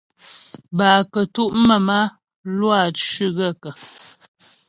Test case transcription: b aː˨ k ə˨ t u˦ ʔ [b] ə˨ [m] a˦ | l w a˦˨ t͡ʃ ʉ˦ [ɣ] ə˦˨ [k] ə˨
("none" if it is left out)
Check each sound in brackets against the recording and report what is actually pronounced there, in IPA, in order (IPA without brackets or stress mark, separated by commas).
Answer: m, m, ɣ, k